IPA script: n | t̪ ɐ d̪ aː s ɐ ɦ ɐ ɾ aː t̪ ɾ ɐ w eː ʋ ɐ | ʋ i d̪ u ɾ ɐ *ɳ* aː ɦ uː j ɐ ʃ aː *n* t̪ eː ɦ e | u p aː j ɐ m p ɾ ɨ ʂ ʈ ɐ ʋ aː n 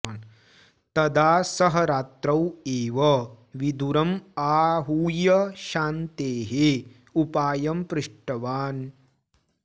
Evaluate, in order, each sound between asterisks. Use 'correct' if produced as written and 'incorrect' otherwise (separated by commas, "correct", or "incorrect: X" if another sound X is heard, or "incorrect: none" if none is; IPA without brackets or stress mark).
incorrect: m, correct